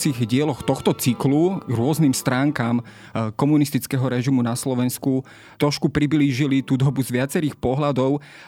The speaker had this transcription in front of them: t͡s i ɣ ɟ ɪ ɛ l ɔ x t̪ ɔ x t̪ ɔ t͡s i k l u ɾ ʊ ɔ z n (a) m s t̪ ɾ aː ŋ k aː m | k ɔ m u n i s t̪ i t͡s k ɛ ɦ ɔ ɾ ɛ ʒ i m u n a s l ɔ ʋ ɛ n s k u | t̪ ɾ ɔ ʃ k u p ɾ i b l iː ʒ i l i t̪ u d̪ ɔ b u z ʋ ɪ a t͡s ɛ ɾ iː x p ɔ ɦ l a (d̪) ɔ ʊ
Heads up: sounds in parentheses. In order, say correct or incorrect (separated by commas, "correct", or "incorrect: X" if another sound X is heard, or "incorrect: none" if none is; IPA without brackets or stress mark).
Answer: incorrect: i, correct